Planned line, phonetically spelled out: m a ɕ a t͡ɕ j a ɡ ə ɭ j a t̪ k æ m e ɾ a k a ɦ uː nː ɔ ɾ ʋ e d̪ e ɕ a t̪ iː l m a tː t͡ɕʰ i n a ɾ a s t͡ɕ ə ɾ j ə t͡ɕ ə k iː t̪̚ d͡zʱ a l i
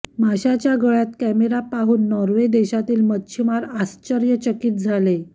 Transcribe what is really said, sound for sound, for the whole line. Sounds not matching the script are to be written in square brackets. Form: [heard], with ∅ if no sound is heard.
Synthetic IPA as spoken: m a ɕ a t͡ɕ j a ɡ ə ɭ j a t̪ k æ m e ɾ a [p] a ɦ uː nː ɔ ɾ ʋ e d̪ e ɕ a t̪ iː l m [ə] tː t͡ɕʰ i [m] a ɾ a s t͡ɕ ə ɾ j ə t͡ɕ ə k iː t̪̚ d͡zʱ a l [e]